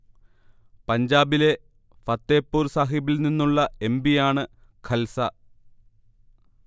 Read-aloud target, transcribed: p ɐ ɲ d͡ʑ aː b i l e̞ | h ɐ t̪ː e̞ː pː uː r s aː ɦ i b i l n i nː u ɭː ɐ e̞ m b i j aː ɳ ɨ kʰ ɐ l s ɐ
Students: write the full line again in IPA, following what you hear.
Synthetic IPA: p ɐ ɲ d͡ʑ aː b i l e̞ | f ɐ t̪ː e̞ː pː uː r s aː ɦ i b i l n i nː u ɭː ɐ e̞ m b i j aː ɳ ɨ kʰ ɐ l s ɐ